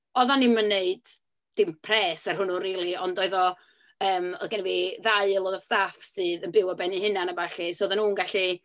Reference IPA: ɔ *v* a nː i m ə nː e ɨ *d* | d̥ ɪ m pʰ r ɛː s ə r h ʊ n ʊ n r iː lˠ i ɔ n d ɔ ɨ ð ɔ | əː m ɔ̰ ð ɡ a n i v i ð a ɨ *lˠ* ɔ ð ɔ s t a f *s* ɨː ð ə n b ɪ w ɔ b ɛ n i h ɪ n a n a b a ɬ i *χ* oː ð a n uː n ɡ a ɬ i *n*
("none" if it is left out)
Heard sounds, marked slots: ð, d, lˠ, s, s, none

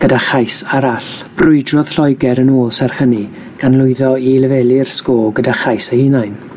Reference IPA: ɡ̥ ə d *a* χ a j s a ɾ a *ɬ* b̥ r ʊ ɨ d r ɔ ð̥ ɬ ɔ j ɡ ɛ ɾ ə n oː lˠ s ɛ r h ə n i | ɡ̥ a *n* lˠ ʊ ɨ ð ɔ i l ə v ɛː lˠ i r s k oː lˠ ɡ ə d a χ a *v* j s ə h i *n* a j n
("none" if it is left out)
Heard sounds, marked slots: a, ɬ, n, none, n

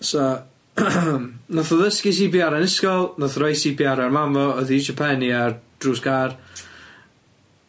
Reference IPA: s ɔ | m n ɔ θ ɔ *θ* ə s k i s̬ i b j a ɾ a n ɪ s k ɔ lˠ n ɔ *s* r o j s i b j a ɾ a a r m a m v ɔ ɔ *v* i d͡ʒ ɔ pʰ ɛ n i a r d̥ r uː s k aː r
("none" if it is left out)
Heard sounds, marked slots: ð, θ, ð

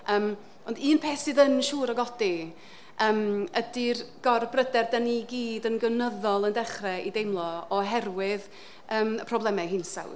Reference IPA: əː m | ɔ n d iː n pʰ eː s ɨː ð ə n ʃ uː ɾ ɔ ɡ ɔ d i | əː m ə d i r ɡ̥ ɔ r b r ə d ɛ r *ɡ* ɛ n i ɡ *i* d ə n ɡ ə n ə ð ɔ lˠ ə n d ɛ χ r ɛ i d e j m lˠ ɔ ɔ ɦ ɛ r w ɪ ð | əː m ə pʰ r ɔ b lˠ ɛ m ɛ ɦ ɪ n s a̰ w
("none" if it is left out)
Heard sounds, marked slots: d, iː

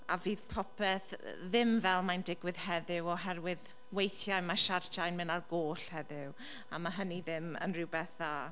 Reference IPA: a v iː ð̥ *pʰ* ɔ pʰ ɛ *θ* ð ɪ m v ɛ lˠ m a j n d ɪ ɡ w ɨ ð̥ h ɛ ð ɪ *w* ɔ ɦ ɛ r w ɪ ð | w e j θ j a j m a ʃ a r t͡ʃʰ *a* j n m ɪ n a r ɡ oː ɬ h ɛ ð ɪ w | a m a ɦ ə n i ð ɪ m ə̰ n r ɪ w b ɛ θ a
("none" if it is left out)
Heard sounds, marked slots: pʰ, θ, w, a

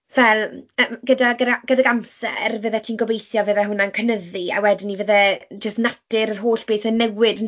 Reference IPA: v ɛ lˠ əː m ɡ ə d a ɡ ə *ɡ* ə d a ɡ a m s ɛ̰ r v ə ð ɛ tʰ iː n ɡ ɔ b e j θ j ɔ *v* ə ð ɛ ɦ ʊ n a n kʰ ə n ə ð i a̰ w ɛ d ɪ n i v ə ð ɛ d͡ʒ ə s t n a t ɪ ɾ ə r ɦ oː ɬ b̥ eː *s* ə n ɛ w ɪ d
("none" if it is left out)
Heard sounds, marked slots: ɡ, v, θ

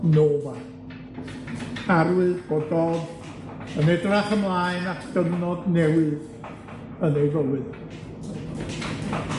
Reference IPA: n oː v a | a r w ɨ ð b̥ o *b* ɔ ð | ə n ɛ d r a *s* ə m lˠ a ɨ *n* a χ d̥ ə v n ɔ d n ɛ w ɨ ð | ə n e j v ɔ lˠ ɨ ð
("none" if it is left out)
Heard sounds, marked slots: d, χ, n

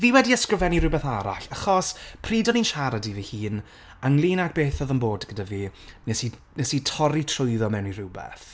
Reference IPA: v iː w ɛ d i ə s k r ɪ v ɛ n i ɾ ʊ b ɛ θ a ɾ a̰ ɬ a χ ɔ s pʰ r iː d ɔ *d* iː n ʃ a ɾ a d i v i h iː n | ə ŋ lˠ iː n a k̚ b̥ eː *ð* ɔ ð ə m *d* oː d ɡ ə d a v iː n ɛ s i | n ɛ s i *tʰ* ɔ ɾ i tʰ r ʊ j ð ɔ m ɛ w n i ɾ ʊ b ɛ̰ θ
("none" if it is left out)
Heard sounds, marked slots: n, θ, b, tʰ

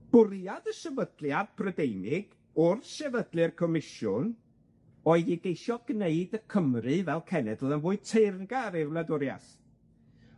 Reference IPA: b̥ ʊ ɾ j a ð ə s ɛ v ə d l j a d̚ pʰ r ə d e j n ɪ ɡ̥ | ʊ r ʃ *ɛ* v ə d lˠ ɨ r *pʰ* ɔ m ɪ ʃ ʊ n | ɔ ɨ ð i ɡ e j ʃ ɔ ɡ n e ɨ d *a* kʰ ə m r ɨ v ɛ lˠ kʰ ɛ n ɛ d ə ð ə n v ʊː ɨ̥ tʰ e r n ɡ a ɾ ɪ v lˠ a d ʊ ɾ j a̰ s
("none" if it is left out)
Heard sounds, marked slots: ɛ, kʰ, ə

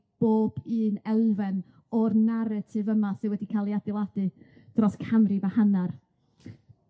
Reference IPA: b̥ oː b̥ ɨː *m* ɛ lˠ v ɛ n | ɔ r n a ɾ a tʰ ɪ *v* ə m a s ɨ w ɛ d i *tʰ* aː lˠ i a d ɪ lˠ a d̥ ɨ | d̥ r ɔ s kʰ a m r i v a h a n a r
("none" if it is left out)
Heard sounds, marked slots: n, v, kʰ

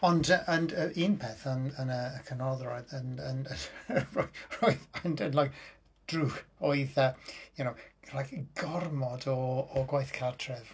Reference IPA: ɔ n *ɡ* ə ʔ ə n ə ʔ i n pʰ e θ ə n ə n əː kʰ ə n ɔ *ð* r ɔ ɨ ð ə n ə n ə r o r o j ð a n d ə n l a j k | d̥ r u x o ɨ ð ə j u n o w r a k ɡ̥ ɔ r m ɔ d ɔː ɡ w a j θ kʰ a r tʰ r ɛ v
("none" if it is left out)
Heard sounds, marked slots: d, ð

